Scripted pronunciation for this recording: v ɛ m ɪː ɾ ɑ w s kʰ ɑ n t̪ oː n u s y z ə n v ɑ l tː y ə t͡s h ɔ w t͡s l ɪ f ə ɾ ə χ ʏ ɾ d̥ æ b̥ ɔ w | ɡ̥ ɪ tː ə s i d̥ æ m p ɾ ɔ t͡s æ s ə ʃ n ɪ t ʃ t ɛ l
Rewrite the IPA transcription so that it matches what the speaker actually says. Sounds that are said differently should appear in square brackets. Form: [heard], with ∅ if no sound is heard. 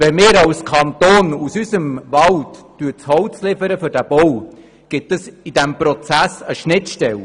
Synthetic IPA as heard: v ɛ m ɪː ɾ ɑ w s kʰ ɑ n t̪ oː n u s y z ə [m] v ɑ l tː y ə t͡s h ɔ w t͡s l ɪ f ə ɾ ə [f] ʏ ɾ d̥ æ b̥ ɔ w | ɡ̥ ɪ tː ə s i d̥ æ m p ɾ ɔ t͡s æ s ə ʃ n ɪ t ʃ t ɛ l